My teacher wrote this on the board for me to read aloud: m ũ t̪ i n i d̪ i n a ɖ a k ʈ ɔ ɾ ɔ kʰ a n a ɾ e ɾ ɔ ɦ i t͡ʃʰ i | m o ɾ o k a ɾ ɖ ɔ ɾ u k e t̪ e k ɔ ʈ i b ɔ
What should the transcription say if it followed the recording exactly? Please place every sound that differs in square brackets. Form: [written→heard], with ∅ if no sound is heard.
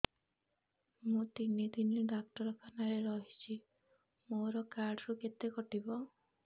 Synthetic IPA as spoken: m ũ t̪ i n i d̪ i n [a→i] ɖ a k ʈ ɔ ɾ ɔ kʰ a n a ɾ e ɾ ɔ ɦ i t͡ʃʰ i | m o ɾ [o→ɔ] k a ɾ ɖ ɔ ɾ u k e t̪ e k ɔ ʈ i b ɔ